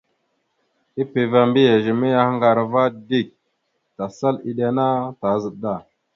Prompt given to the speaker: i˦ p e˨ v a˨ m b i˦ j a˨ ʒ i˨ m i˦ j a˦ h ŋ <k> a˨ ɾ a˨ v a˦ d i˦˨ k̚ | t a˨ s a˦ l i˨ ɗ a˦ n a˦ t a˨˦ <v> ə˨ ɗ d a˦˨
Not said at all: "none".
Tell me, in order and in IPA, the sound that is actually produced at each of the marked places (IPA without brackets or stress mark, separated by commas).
ɡ, z